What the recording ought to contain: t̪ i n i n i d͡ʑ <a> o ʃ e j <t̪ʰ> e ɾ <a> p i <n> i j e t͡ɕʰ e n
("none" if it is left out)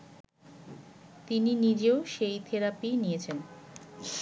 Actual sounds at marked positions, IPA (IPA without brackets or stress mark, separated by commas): e, t̪ʰ, a, n